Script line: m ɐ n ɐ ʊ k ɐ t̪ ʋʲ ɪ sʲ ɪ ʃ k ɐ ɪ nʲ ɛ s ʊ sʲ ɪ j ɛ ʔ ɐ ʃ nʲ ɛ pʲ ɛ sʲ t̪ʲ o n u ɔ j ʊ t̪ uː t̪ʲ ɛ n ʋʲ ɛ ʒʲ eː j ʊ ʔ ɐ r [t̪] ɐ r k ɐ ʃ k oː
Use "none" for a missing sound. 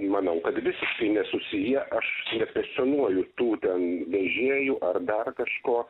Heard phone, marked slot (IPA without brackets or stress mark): d̪